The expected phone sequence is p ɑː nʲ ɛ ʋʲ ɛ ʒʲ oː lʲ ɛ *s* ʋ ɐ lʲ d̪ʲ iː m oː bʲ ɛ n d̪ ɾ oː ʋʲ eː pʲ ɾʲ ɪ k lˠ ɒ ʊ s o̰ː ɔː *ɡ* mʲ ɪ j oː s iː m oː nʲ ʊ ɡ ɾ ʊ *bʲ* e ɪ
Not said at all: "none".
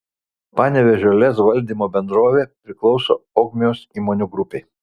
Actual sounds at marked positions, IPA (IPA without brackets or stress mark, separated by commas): s, ɡ, pʲ